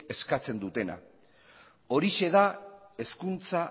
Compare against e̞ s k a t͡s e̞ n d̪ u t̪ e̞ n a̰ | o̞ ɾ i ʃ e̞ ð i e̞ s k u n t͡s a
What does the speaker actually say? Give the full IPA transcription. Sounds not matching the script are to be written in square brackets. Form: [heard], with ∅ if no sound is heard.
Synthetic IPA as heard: e̞ s k a t͡s e̞ n d̪ u t̪ e̞ n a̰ | o̞ ɾ i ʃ e̞ ð [a] e̞ s k u n t͡s a